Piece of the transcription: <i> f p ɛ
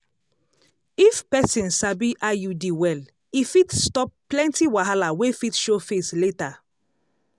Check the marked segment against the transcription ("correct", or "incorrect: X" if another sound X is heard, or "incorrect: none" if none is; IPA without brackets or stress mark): correct